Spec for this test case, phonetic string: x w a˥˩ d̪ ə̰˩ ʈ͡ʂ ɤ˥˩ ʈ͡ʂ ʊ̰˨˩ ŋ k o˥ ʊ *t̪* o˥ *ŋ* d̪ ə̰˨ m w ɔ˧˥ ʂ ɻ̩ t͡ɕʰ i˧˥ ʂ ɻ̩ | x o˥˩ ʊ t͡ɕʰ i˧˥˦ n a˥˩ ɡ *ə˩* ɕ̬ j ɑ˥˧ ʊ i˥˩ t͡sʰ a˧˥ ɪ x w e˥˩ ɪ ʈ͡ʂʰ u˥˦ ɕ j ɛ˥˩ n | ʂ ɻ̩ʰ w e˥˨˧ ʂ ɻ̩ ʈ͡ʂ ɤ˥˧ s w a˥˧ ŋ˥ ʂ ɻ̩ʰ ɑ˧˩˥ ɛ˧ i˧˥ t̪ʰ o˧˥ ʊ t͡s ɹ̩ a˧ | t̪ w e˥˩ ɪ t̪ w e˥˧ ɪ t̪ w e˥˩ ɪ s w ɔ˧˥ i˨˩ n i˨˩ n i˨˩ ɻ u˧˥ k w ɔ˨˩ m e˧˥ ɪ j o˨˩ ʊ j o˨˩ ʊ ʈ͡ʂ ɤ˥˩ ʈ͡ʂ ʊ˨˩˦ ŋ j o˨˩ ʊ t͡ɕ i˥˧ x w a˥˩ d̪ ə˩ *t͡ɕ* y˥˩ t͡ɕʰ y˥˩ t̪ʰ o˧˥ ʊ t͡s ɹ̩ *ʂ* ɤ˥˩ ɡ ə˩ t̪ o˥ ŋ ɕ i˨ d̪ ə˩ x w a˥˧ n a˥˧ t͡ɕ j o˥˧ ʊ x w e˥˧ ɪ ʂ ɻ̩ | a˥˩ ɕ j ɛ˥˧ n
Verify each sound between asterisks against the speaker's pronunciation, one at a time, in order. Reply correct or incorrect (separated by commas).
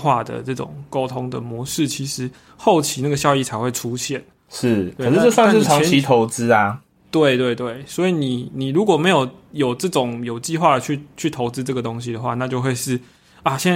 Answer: incorrect, correct, correct, incorrect, incorrect